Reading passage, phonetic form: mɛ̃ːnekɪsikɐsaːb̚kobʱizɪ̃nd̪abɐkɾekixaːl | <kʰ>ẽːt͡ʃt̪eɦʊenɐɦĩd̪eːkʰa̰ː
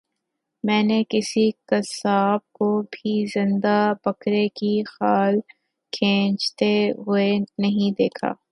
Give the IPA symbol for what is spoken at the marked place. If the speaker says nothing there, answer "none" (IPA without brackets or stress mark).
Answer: kʰ